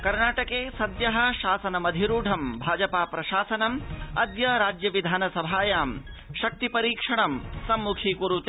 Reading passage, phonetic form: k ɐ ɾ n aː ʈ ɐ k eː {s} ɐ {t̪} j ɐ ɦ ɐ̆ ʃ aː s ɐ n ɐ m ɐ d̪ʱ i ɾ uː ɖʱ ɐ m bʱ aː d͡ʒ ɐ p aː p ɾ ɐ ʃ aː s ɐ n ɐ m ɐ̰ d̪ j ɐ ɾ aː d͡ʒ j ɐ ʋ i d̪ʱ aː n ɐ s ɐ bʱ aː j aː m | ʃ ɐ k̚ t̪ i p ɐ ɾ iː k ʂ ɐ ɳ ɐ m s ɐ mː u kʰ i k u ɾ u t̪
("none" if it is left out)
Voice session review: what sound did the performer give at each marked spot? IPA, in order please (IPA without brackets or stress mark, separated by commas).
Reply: s, d̪